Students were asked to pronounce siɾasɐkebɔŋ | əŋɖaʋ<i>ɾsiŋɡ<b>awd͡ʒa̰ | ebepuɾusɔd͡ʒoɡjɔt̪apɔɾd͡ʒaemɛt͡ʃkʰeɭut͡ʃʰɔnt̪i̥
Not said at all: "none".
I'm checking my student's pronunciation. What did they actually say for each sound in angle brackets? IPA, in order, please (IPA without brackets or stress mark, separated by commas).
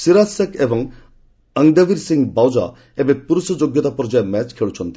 i, b